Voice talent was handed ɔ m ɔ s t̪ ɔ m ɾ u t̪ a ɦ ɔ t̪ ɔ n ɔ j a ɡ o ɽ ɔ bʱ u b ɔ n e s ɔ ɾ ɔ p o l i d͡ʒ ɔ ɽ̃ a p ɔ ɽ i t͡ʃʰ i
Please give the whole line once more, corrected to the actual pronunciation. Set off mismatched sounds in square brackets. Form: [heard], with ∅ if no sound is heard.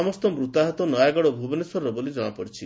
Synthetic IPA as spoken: ɔ m ɔ s t̪ ɔ m ɾ u t̪ a ɦ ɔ t̪ ɔ n ɔ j a ɡ [ɔ] ɽ ɔ bʱ u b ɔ n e s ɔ ɾ ɔ [b] o l i d͡ʒ ɔ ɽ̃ a p ɔ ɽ i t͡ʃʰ i